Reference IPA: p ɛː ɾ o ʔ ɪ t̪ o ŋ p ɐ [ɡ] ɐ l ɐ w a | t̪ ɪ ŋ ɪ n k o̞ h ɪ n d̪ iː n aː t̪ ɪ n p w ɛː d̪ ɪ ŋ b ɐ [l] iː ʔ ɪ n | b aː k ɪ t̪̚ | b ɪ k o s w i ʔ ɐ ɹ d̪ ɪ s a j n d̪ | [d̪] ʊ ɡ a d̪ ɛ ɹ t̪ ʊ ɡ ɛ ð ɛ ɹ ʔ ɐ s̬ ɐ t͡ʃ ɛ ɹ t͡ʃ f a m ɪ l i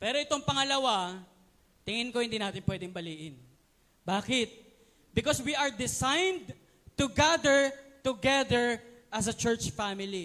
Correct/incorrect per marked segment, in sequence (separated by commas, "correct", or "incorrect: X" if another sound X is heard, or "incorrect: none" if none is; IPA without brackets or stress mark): incorrect: ŋ, correct, incorrect: t̪